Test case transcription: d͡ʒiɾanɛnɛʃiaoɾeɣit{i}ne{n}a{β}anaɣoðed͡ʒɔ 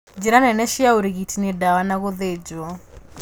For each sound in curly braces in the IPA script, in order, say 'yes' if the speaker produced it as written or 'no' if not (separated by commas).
yes, no, no